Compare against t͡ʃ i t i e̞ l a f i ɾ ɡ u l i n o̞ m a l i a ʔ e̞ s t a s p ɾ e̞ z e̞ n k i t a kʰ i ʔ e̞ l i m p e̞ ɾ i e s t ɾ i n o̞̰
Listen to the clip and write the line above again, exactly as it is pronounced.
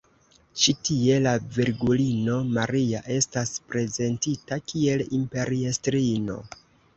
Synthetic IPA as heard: t͡ʃ i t i e̞ l a v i ɾ ɡ u l i n o̞ m a ɾ i a ʔ e̞ s t a s p ɾ e̞ z e̞ n t i t a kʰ i e̞ l i m p e̞ ɾ i e s t ɾ i n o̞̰

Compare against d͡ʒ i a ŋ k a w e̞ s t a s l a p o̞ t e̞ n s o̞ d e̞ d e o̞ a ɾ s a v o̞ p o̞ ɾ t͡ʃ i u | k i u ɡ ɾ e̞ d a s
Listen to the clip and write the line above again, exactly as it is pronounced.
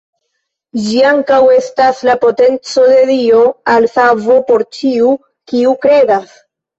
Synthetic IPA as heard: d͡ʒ i a ŋ k a w e̞ s t a s l a p o̞ t e̞ n t͡s o̞ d e̞ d i o̞ a l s a v o̞ p o̞ ɾ t͡ʃ i u | k i u k ɾ e̞ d a s

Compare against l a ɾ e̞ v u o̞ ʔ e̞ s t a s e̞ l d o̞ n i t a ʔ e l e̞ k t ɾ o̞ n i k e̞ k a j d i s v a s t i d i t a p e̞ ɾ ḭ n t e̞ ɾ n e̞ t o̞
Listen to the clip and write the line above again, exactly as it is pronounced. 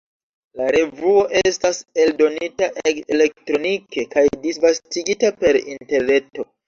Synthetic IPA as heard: l a ɾ e̞ v u o̞ ʔ e̞ s t a s e̞ l d o̞ n i t a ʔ e l e̞ k t ɾ o̞ n i k e̞ k a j d i s v a s t i ɡ i t a p e̞ ɾ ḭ n t e̞ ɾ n e̞ t o̞

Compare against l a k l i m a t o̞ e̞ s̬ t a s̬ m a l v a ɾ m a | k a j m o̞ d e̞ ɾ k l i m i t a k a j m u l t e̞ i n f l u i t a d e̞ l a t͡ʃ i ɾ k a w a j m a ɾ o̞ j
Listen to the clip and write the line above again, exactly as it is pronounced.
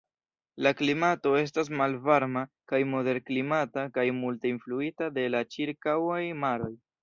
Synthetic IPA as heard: l a k l i m a t o̞ e̞ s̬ t a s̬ m a l v a ɾ m a | k a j m o̞ d e̞ ɾ k l i m a t a k a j m u l t e̞ i n f l u i t a d e̞ l a t͡ʃ i ɾ k a w a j m a ɾ o̞ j

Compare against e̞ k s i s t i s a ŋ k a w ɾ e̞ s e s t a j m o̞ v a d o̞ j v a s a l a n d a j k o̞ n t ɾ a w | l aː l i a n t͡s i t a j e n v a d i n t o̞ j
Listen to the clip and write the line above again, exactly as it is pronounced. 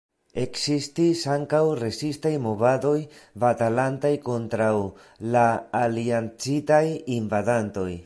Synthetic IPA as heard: e̞ k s i s t i s a ŋ k a w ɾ e̞ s i s t a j m o̞ v a d o̞ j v a t a l a n t a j k o̞ n t ɾ a w | l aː l i a n t͡s i t a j i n v a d a n t o̞ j

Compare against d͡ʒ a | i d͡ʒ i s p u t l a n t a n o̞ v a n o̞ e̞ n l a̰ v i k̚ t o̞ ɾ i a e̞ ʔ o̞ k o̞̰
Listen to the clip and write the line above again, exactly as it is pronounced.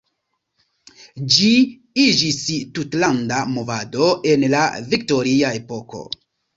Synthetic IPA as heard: d͡ʒ i | i d͡ʒ i s t u t l a n d a m o̞ v a d o̞ e̞ n l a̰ v i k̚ t o̞ ɾ i a e̞ p o̞ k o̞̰

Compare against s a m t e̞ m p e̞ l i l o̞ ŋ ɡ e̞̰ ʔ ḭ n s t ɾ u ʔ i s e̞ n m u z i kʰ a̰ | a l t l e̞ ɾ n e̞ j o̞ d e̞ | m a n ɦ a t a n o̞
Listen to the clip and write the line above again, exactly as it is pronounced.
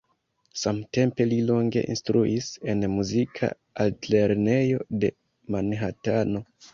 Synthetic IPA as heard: s a m t e̞ m p e̞ l i l o̞ ŋ ɡ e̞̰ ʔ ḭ n s t ɾ u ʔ i s e̞ n m u z i kʰ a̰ | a l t l e̞ ɾ n e̞ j o̞ d e̞ | m a n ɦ a t a n o̞

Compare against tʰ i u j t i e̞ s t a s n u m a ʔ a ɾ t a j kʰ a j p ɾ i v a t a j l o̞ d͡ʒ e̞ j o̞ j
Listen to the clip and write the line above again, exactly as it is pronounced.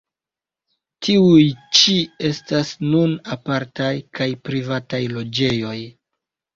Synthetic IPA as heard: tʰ i u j t͡ʃ i e̞ s t a s n u n a p a ɾ t a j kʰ a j p ɾ i v a t a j l o̞ d͡ʒ e̞ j o̞ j

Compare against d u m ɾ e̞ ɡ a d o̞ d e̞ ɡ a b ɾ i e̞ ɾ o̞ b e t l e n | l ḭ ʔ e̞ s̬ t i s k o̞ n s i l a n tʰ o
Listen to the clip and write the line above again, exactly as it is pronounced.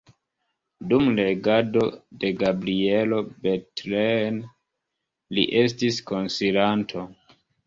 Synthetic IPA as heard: d u m l e̞ ɡ a d o̞ d e̞ ɡ a b ɾ i e̞ l o̞ b e t l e n | l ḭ ʔ e̞ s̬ t i s k o̞ n s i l a n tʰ o

